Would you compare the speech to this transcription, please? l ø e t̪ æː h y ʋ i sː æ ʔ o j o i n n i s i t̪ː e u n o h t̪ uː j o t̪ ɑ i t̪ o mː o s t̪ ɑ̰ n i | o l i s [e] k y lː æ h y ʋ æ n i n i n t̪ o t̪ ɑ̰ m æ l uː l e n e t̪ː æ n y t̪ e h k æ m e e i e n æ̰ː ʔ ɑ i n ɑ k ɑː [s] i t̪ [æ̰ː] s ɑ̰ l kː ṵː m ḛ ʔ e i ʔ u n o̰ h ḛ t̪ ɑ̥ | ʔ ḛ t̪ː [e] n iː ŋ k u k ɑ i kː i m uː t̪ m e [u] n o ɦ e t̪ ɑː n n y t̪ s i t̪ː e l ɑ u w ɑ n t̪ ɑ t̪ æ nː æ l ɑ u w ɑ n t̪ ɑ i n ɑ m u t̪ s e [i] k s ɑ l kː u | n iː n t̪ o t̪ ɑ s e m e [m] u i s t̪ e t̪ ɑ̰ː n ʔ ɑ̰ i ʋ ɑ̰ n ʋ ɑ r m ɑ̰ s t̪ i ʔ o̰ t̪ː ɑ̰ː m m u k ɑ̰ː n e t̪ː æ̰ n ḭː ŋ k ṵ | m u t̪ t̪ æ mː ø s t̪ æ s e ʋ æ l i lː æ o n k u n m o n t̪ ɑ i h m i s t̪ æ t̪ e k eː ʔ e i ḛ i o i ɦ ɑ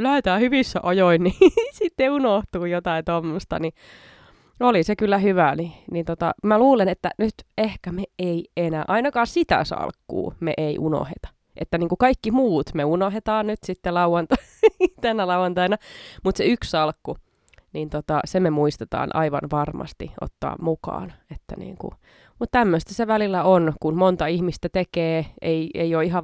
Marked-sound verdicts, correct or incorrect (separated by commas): correct, correct, incorrect, incorrect, correct, incorrect, correct